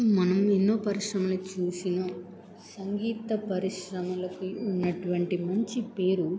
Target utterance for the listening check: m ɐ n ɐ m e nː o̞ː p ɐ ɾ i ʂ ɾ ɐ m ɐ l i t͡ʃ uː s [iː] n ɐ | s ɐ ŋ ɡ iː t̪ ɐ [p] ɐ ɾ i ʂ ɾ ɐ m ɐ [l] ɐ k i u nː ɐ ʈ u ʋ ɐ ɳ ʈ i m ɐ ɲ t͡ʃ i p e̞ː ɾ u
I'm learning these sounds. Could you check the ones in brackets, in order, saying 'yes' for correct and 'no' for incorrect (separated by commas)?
no, yes, yes